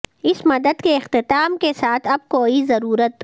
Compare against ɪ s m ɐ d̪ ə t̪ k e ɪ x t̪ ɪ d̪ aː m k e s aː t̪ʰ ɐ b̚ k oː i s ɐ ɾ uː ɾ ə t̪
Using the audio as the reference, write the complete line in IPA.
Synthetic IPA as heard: ɪ s m ɐ d̪ ə d̪ k e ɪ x t̪ ɪ t̪ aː m k e s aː t̪ʰ ɐ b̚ k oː i z ɐ ɾ uː ɾ ə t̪

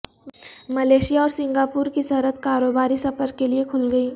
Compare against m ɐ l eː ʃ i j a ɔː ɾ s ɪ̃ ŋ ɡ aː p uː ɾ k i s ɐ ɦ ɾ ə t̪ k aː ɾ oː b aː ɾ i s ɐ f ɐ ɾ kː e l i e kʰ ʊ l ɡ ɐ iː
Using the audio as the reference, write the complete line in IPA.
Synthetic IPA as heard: m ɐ l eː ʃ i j a ɔː ɾ s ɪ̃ ŋ ɡ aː p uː ɾ k i s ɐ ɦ ɾ ə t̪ k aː ɾ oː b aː ɾ i s ɐ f ə ɾ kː e l i e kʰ ʊ l ɡ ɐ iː

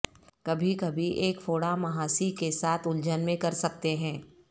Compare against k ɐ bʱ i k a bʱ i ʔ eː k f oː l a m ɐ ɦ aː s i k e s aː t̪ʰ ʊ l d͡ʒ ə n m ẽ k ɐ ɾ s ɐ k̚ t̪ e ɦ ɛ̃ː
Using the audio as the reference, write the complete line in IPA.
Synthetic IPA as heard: k ɐ bʱ i k ɐ bʱ i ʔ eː k f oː ɽ a m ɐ ɦ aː s i k e s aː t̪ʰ ʊ l d͡ʒ ə n m ẽ k ɐ ɾ s ɐ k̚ t̪ e ɦ ɛ̃ː

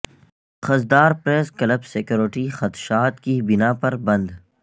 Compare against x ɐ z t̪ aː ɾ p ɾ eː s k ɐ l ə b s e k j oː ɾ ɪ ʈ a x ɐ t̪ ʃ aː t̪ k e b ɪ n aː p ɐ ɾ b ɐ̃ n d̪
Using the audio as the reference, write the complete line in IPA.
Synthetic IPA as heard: x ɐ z d̪ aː ɾ p ɾ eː s k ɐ l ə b s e k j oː ɾ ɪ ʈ i x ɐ t̪ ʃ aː t̪ k i b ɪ n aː p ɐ ɾ b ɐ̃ n d̪

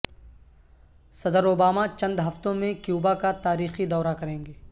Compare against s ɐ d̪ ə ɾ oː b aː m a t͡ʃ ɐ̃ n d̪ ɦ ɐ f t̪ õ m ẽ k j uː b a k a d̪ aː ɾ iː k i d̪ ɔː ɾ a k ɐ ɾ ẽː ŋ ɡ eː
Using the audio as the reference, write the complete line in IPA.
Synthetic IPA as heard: s ɐ d̪ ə ɾ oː b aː m a t͡ʃ ɐ̃ n d̪ ɦ ɐ f t̪ õ m ẽ k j uː b a k a t̪ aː ɾ iː x i d̪ ɔː ɾ a k ɐ ɾ ẽː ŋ ɡ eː

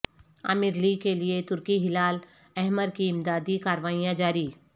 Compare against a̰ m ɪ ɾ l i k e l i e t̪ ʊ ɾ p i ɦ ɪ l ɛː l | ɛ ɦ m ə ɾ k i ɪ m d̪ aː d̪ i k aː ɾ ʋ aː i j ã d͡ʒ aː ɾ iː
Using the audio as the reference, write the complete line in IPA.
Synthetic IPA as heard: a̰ m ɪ ɾ l i k e l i e t̪ ʊ ɾ k i ɦ ɪ l aː l | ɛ ɦ m ə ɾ k i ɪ m d̪ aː d̪ i k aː ɾ ʋ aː i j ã d͡ʒ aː ɾ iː

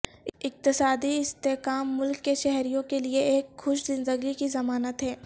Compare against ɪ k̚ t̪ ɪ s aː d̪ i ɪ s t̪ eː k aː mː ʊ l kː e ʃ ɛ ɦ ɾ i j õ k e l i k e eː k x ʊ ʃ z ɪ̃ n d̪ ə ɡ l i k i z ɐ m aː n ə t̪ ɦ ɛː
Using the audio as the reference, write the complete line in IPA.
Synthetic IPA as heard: ɪ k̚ t̪ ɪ s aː d̪ i ɪ s t̪ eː k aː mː ʊ l kː e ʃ ɛ ɦ ɾ i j õ k e l i e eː k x ʊ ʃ z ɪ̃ n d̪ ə ɡ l i k i z ɐ m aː n ə t̪ ɦ ɛː

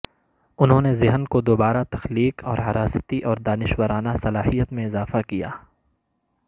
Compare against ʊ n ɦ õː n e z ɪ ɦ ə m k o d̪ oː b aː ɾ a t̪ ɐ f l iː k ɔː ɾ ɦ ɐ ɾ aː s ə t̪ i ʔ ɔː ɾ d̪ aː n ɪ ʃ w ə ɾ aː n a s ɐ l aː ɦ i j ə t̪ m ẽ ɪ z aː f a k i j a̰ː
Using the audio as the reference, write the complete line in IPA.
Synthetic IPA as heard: ʊ n ɦ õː n e z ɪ ɦ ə n k o d̪ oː b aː ɾ a t̪ ɐ x l iː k ɔː ɾ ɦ ɐ ɾ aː s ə t̪ i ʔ ɔː ɾ d̪ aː n ɪ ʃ w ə ɾ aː n a s ɐ l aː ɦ i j ə t̪ m ẽ ɪ z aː f a k i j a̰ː

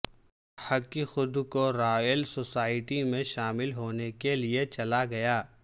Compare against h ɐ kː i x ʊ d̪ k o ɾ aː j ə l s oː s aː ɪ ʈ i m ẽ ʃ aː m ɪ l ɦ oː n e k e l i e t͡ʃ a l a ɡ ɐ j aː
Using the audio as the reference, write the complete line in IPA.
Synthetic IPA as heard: h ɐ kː i x ʊ d̪ k o ɾ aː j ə l s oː s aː ɪ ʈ i m ẽ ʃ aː m ɪ l ɦ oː n e k e l i e t͡ʃ ɐ l a ɡ ɐ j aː

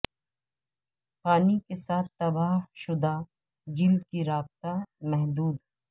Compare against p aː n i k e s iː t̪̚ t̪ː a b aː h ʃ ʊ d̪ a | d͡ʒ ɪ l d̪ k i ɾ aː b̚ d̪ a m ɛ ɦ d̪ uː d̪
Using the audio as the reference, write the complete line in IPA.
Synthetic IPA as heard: p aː n i k e s aː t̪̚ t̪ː ɐ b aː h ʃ ʊ d̪ a | d͡ʒ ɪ l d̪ k i ɾ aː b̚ t̪ a m ɛ ɦ d̪ uː d̪

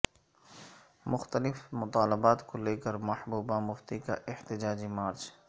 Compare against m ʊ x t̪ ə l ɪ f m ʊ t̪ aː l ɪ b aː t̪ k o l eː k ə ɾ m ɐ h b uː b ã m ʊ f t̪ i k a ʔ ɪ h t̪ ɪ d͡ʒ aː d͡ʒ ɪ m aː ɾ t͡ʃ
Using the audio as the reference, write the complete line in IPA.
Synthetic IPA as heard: m ʊ x t̪ ə l ɪ f m ʊ t̪ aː l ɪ b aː t̪ k o l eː k ə ɾ m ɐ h b uː b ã m ʊ f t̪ i k a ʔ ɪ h t̪ ɪ d͡ʒ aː d͡ʒ i m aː ɾ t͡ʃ

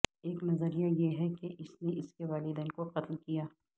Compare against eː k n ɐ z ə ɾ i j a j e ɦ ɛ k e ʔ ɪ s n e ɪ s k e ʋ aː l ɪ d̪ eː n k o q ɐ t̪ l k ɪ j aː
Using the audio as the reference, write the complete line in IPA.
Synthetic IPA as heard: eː k n ɐ z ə ɾ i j a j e ɦ ɛ k e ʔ ɪ s n e ɪ s k e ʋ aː l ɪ d̪ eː n k o q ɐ t̪ l k i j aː

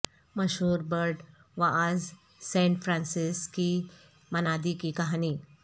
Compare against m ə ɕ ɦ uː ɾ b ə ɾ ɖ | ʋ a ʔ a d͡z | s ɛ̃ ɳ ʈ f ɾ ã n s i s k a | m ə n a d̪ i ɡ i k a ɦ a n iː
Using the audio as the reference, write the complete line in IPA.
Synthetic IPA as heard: m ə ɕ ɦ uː ɾ b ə ɾ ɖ | ʋ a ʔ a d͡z | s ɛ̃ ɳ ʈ f ɾ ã n s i s k i | m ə n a d̪ i k i k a ɦ a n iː

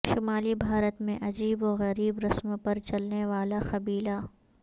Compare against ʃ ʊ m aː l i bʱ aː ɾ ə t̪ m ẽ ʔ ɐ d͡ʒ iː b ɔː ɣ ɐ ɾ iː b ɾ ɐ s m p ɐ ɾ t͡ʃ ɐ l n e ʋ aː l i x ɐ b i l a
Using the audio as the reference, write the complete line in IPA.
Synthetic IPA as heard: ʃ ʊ m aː l i bʱ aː ɾ ə t̪ m ẽ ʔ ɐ d͡ʒ iː b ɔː ɣ ɐ ɾ iː b ɾ ɐ s m p ɐ ɾ t͡ʃ ɐ l n e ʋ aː l a x ɐ b iː l a

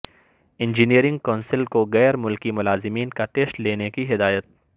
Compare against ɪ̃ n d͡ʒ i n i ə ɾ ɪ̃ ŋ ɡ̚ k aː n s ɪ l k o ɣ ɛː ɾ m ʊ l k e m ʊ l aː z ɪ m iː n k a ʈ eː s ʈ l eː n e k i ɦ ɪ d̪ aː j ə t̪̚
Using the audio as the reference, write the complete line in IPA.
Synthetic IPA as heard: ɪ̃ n d͡ʒ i n i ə ɾ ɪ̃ ŋ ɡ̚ k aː n s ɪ l k o ɣ ɛː ɾ m ʊ l k i m ʊ l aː z ɪ m iː n k a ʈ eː s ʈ l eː n e k i ɦ ɪ d̪ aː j ə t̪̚

